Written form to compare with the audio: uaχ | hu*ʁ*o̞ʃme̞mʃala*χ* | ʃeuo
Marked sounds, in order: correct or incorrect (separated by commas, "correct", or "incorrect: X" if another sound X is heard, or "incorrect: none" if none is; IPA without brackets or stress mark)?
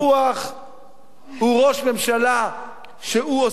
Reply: correct, incorrect: none